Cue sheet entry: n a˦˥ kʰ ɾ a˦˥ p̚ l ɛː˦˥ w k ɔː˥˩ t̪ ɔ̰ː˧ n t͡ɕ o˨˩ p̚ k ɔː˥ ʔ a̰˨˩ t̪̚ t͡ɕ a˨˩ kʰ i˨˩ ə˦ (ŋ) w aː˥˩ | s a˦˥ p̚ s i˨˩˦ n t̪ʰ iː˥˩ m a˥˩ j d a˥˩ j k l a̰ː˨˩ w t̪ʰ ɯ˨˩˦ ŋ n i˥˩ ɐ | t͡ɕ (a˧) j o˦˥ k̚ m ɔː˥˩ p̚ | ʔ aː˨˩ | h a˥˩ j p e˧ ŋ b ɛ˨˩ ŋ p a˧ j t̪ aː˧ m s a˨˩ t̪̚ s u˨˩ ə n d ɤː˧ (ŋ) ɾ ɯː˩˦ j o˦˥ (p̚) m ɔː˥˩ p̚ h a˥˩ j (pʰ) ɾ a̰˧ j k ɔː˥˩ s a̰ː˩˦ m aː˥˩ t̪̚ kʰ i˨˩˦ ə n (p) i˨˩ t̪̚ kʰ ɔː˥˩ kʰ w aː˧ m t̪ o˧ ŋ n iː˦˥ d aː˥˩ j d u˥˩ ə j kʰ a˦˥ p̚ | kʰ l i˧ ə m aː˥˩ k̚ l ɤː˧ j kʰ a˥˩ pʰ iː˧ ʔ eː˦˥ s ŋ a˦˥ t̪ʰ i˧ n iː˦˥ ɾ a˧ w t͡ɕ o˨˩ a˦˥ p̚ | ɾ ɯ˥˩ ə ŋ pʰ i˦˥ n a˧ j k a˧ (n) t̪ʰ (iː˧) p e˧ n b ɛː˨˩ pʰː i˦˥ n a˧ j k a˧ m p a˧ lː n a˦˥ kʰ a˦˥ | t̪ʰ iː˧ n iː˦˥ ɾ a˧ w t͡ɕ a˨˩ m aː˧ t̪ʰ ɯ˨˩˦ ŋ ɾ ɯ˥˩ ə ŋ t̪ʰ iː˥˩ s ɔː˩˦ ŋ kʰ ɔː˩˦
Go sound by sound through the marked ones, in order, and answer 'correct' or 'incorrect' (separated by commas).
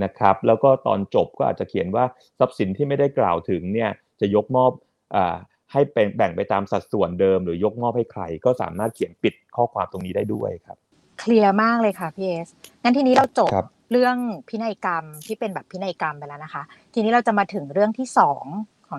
incorrect, incorrect, incorrect, incorrect, incorrect, correct, incorrect, incorrect